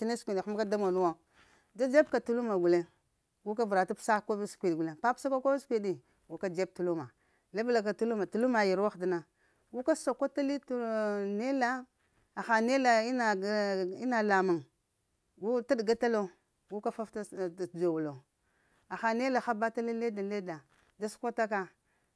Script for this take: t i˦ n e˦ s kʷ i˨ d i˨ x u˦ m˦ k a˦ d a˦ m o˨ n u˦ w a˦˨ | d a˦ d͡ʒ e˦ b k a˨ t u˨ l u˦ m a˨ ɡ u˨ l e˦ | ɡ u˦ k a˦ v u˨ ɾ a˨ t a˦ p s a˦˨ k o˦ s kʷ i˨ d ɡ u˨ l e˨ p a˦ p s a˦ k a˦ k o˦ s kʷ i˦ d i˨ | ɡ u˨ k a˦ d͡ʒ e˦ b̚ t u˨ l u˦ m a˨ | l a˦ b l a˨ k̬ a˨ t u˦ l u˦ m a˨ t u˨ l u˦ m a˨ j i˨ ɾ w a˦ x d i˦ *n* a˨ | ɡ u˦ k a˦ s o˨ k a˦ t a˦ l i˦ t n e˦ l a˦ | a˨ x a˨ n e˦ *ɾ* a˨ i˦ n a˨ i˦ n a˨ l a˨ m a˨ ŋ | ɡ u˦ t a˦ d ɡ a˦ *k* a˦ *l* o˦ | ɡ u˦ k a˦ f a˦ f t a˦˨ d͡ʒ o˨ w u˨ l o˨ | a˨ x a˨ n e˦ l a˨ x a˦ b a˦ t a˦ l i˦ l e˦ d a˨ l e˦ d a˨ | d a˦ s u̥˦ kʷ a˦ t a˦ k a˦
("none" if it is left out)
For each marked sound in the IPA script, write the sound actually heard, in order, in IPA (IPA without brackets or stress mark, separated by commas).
n, l, t, l